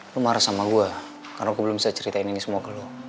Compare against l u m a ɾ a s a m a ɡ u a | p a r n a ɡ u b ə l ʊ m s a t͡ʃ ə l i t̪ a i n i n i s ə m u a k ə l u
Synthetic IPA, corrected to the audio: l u m a ɾ a s a m a ɡ u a | k a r n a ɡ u b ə l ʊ m s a t͡ʃ ə ɾ i t̪ a i n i n i s ə m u a k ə l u